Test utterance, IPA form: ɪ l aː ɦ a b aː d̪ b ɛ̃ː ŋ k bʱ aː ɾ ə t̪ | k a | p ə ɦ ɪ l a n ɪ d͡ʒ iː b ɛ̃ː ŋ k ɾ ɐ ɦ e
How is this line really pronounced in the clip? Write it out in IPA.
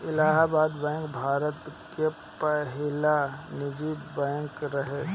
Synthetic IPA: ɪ l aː ɦ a b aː d̪ b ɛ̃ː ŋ k bʱ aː ɾ ə t̪ | k e | p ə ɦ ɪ l a n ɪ d͡ʒ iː b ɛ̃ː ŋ k ɾ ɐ ɦ e